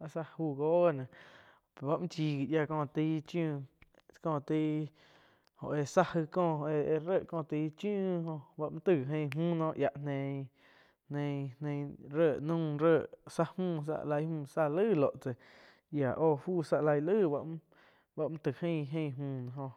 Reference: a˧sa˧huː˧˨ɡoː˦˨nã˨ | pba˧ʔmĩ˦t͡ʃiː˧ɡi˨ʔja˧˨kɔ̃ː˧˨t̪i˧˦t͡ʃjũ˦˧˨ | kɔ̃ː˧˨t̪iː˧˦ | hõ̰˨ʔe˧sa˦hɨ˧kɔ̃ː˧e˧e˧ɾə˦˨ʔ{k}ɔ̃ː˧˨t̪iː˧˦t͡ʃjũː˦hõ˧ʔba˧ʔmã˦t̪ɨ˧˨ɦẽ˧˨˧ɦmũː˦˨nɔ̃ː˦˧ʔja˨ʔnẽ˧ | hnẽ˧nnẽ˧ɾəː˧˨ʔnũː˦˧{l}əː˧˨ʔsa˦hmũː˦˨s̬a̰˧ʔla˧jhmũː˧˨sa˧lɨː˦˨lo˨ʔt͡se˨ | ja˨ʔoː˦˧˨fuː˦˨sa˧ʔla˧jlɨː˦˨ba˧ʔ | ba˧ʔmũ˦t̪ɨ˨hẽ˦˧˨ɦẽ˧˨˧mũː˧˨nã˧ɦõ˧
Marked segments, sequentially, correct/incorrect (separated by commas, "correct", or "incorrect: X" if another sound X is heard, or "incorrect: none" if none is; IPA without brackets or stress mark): correct, incorrect: ɾ